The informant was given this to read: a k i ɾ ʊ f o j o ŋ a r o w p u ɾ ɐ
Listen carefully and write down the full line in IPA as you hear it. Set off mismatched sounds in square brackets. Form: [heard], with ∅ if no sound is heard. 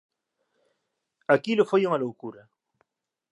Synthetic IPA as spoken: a k i [l] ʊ f o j [u] ŋ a [l] o w [k] u ɾ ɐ